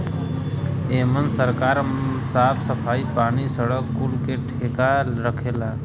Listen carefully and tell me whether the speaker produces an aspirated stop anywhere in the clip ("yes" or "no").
yes